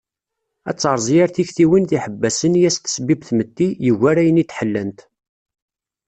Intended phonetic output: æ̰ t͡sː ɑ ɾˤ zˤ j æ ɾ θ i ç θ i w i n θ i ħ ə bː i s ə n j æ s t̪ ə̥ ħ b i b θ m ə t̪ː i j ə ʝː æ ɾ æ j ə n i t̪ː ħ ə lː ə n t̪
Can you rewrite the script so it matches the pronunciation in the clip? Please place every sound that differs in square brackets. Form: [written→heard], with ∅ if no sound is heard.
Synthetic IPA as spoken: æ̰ t͡sː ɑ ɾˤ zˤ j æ ɾ θ i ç θ i w i n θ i ħ ə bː [i→æ] s ə n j æ s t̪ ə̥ [ħ→s] b i b θ m ə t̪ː i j ə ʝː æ ɾ æ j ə n i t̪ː ħ ə lː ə n t̪

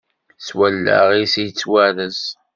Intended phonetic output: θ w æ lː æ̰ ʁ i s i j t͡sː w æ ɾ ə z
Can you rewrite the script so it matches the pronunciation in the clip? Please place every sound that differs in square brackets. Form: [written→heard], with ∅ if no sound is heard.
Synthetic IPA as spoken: [θ→s] w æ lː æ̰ ʁ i s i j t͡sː w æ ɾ ə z

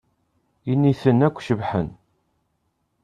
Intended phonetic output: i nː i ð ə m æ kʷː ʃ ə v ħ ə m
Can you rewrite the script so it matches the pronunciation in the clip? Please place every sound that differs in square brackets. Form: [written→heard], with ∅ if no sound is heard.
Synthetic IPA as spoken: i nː i [ð→θ] ə [m→n] æ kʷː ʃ ə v ħ ə [m→n]

